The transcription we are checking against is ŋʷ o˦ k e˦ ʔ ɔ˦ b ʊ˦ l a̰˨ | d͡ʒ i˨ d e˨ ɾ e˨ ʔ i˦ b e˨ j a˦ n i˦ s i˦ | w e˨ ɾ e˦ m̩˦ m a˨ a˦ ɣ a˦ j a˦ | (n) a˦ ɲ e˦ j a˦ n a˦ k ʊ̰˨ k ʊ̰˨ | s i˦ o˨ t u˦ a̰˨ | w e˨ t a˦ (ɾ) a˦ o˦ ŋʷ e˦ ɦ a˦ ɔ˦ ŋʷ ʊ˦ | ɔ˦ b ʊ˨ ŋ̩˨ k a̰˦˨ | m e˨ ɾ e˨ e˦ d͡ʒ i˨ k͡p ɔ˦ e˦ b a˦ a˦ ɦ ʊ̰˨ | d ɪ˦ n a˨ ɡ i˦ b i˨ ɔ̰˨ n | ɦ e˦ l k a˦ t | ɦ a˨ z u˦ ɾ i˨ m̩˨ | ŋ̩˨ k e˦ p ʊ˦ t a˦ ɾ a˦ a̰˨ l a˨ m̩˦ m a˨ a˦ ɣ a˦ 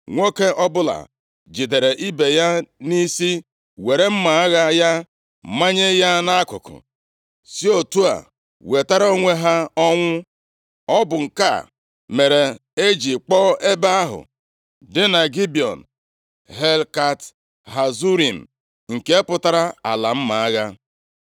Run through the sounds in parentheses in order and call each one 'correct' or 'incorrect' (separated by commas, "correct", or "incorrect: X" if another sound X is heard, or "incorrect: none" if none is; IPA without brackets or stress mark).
incorrect: m, correct